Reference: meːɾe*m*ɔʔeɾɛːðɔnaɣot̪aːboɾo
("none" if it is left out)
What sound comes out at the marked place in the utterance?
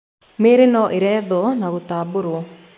n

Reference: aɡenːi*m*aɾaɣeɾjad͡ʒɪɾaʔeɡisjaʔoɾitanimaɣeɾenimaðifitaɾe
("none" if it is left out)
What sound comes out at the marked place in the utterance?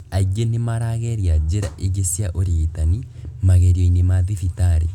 m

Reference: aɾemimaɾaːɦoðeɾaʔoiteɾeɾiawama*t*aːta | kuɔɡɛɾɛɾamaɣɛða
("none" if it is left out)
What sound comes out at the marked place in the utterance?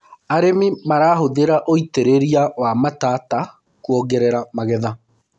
t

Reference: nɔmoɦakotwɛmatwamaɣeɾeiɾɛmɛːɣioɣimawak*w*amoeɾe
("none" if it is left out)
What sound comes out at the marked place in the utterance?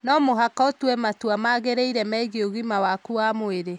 u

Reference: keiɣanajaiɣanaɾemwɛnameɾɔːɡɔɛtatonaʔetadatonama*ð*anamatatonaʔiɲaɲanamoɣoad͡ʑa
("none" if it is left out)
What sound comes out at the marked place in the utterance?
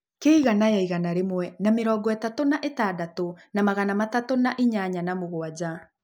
ɣ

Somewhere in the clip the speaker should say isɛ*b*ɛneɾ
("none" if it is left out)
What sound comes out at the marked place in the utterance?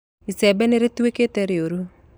b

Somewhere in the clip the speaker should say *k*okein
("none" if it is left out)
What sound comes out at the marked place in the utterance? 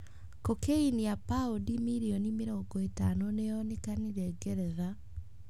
k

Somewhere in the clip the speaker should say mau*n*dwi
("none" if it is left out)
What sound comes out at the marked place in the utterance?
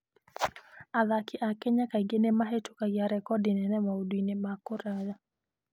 none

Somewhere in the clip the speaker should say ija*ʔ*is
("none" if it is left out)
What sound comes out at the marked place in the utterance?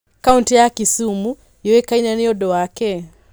k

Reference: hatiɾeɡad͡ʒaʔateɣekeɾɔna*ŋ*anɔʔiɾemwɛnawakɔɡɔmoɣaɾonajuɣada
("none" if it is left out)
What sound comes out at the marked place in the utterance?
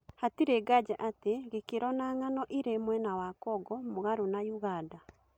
ŋ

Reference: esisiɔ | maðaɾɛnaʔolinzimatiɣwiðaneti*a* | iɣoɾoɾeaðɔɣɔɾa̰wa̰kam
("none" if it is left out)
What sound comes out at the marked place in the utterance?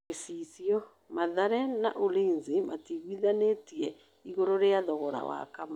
ɛ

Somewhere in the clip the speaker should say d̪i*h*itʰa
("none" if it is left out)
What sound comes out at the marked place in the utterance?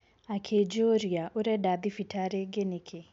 f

